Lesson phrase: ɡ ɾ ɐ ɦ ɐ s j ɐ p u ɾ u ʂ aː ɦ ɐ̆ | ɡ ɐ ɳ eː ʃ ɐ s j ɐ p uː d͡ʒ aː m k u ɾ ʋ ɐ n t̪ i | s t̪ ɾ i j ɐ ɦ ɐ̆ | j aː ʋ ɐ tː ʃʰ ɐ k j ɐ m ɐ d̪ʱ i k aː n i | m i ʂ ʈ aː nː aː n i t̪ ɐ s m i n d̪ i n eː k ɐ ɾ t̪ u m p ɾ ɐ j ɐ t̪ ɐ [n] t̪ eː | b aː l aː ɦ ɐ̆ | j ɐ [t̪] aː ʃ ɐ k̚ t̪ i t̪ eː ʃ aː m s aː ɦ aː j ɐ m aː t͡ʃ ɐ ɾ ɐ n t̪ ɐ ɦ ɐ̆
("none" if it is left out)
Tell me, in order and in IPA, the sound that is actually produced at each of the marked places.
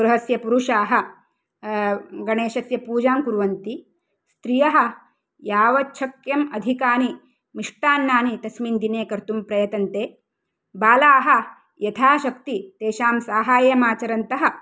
n, t̪ʰ

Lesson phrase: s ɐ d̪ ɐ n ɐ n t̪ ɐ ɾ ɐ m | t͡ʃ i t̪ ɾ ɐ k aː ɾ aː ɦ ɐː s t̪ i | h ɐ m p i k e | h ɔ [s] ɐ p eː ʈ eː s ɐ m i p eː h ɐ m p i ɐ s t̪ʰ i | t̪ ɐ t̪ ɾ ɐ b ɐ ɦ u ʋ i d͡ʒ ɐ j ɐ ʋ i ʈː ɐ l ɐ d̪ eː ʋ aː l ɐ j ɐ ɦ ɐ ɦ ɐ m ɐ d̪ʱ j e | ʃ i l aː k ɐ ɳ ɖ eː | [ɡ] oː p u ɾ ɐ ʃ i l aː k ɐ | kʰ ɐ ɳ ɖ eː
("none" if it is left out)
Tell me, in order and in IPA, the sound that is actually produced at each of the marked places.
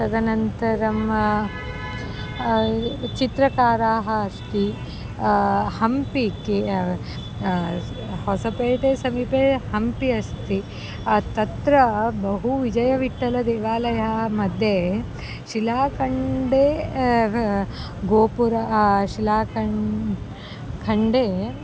s, ɡ

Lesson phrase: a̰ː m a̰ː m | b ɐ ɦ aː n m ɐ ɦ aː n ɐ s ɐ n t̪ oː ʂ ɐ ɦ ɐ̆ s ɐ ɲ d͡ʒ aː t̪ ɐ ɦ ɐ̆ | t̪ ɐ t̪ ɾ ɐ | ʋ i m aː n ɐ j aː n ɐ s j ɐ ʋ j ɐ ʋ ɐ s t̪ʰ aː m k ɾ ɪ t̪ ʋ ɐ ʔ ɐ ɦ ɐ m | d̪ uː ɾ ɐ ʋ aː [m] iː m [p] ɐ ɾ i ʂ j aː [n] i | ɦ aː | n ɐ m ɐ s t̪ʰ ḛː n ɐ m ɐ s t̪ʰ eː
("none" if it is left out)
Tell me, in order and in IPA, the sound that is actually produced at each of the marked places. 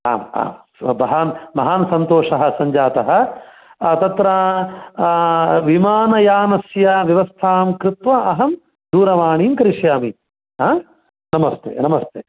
ɳ, k, m

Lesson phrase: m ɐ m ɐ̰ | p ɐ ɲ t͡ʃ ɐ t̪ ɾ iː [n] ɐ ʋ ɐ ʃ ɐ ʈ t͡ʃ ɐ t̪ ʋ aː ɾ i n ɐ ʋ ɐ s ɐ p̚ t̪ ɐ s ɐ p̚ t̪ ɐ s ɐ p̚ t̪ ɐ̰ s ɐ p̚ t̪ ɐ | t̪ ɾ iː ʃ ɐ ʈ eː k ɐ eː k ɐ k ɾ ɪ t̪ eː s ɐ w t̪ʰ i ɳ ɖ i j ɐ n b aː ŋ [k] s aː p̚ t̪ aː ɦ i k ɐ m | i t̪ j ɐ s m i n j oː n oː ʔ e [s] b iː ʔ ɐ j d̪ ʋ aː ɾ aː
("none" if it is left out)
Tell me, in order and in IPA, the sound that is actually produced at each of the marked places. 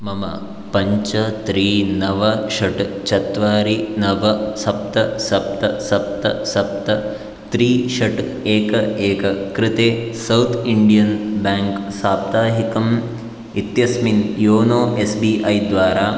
n, k, s

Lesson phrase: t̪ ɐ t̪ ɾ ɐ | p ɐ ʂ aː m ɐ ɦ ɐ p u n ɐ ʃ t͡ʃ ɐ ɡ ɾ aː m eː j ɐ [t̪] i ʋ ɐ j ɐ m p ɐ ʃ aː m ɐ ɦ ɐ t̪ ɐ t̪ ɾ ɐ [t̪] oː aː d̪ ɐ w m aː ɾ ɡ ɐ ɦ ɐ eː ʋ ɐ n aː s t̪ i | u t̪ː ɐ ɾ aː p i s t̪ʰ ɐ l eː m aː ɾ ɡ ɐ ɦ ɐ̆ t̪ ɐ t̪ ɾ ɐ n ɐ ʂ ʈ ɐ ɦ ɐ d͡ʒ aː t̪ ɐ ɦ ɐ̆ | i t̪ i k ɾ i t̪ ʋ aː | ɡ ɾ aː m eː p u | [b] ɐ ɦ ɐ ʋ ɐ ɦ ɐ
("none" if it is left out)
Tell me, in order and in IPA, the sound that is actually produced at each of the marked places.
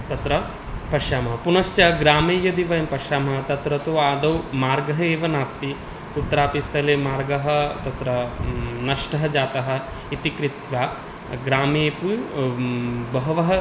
d̪, t̪, b

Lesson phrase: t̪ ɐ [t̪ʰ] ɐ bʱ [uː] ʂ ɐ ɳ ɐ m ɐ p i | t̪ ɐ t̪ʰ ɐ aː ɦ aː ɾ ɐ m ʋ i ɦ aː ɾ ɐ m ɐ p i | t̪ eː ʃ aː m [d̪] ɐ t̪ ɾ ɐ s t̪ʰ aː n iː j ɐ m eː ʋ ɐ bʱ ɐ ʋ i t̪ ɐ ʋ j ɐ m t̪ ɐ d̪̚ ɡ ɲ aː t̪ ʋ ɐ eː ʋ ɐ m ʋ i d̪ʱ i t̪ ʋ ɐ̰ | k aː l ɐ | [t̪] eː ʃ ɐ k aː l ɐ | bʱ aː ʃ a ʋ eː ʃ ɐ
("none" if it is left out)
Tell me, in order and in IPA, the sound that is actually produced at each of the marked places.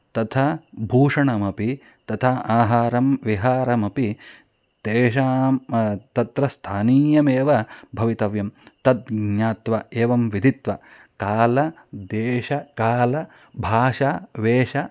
t̪ʰ, uː, t̪, d̪

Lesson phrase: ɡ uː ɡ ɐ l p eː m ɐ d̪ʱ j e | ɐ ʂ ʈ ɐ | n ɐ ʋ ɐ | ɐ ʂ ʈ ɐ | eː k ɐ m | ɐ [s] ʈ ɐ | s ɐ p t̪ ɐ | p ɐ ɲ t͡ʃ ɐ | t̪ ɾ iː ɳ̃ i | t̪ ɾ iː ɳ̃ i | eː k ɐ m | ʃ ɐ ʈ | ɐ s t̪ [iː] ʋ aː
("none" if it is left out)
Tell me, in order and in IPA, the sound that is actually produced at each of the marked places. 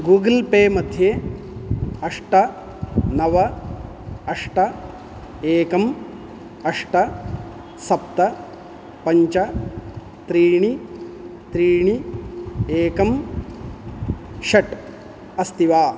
ʂ, i

